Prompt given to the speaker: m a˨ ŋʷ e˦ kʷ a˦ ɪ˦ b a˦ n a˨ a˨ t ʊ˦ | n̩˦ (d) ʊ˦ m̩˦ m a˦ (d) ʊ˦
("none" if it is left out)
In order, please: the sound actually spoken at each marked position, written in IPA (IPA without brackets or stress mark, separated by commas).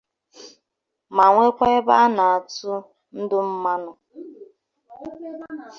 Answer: d, n